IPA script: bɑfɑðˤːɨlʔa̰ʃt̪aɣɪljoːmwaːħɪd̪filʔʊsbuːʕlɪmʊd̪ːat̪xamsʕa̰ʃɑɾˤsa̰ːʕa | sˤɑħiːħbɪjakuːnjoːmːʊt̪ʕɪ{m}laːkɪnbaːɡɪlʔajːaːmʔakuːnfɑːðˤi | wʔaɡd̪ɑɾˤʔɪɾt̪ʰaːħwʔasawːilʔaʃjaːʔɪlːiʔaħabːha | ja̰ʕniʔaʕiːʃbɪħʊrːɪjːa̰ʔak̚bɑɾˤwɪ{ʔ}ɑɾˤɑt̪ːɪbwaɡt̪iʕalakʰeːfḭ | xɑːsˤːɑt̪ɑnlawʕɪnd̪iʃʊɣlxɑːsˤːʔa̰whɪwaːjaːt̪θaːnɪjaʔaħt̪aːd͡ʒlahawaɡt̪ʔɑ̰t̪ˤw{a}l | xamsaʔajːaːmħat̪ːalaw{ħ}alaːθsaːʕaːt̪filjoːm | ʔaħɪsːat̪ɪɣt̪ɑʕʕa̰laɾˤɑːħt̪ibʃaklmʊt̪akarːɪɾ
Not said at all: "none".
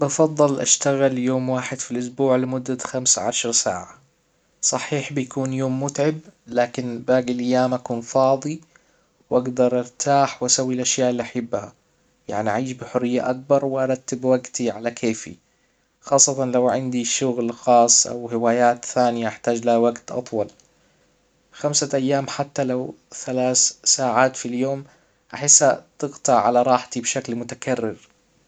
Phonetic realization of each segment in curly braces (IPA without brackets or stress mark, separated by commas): b, ʔ, ɑ, θ